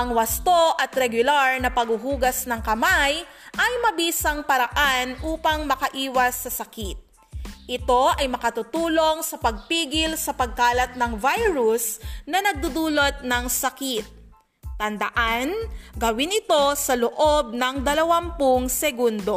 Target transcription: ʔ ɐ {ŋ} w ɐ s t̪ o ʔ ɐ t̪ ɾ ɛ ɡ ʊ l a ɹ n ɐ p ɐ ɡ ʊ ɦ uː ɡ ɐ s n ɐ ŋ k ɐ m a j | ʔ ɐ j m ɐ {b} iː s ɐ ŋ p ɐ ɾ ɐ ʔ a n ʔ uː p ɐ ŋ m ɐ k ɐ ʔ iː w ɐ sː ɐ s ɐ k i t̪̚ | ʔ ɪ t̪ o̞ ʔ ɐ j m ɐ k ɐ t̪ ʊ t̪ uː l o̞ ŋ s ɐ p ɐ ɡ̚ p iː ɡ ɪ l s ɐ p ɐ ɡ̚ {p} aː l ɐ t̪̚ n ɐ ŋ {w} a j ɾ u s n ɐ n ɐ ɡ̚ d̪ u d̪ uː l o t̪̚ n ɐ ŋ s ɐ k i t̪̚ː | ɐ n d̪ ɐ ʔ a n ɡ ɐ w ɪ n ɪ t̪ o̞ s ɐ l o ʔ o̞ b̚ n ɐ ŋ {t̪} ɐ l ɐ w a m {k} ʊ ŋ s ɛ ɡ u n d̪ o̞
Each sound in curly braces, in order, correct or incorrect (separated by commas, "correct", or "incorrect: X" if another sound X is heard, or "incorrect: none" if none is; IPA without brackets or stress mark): correct, correct, incorrect: k, incorrect: v, incorrect: d̪, incorrect: p